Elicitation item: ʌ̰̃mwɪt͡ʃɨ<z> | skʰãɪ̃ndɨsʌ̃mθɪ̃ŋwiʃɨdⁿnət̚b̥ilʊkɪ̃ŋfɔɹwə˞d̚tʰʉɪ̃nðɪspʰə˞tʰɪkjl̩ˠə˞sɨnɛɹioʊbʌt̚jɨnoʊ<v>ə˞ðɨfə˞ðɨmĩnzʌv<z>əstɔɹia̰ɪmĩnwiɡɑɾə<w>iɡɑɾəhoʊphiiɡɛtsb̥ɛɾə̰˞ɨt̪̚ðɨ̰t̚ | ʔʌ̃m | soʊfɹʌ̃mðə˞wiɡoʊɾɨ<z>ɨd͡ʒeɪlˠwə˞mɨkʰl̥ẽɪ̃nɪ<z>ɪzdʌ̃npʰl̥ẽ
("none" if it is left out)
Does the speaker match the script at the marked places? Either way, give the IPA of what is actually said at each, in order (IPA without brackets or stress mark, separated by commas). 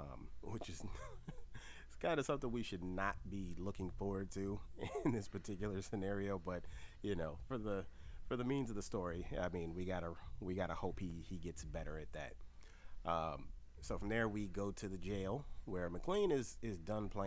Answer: z, f, ð, w, ð, z